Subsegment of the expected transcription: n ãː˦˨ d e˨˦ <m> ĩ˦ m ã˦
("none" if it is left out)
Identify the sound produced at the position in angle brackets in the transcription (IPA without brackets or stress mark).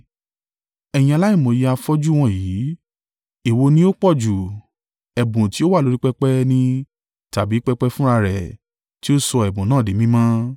m